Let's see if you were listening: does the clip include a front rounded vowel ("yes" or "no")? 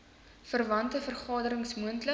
no